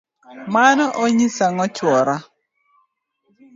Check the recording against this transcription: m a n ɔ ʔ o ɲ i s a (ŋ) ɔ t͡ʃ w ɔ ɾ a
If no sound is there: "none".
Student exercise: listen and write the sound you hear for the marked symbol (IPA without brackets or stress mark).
ŋ